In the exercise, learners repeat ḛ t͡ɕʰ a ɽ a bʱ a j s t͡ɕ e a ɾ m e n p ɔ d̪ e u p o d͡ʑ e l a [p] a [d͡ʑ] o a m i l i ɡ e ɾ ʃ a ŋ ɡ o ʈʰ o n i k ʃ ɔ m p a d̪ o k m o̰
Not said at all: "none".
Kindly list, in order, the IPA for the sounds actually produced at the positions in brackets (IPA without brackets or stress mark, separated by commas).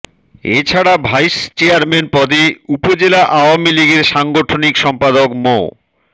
ʔ, none